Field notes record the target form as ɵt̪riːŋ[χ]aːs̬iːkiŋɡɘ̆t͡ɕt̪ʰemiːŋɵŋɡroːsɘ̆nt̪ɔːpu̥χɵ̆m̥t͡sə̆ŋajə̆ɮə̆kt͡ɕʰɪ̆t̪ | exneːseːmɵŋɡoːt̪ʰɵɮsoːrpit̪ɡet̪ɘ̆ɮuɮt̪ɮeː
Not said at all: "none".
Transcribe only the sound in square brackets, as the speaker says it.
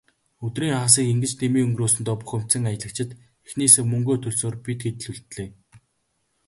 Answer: χ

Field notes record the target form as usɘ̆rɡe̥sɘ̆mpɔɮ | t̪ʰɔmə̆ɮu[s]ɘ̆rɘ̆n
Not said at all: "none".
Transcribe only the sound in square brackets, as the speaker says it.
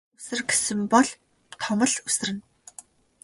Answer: s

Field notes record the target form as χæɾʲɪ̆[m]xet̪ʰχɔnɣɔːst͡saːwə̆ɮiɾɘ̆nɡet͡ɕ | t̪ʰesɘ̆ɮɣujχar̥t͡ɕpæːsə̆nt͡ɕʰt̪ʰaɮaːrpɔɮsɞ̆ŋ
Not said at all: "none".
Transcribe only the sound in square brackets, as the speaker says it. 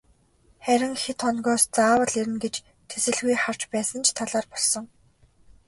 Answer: ŋ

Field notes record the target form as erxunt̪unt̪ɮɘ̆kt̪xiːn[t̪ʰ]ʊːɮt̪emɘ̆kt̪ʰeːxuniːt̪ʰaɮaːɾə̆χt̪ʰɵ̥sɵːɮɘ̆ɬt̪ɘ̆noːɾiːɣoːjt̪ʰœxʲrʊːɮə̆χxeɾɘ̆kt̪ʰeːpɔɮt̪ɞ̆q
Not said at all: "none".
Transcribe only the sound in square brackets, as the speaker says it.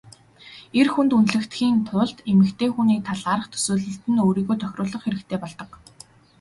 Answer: t̪ʰ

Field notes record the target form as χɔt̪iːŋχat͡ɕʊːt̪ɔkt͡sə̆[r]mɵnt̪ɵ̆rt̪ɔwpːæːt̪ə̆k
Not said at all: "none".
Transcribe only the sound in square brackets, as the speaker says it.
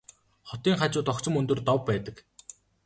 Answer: none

